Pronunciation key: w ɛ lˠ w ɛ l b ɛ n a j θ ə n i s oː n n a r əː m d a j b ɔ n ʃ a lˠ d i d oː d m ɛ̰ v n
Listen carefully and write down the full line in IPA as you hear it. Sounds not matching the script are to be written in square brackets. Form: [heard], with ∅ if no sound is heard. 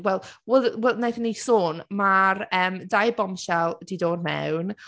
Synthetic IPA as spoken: w ɛ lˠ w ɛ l [w] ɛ n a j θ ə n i s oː n [m] a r əː m d a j b ɔ [m] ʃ a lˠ d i d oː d m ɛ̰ [w] n